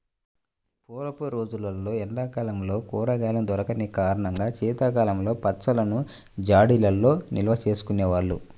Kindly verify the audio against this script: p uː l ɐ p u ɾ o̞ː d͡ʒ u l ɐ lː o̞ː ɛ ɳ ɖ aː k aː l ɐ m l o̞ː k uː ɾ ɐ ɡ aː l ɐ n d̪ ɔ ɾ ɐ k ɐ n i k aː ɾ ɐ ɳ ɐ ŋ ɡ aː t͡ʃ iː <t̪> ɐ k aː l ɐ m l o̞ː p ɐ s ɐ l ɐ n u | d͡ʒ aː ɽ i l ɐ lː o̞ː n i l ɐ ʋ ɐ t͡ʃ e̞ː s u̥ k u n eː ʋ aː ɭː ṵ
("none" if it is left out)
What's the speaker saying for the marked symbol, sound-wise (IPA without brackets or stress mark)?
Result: t̪